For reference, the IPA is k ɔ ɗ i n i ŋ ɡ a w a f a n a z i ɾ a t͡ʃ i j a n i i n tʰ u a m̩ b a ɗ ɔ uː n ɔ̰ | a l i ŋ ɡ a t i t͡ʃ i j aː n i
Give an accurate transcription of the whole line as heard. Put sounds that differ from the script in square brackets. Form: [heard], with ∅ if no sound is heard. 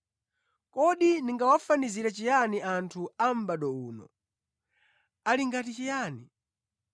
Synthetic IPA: k ɔ ɗ i n i ŋ ɡ a w a f a n [i] z i ɾ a t͡ʃ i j a n i [a] n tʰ u a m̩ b a ɗ ɔ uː n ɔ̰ | a l i ŋ ɡ a t i t͡ʃ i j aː n i